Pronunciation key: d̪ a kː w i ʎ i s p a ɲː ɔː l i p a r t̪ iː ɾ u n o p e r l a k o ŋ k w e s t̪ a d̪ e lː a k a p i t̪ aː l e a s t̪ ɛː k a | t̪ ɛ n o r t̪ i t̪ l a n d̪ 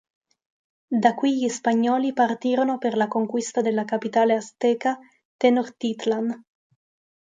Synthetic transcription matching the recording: d̪ a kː w i ʎ i s p a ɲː ɔː l i p a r t̪ iː ɾ o n o p e r l a k o ŋ k w i s t̪ a d̪ e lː a k a p i t̪ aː l e a s t̪ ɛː k a | t̪ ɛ n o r t̪ i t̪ l a n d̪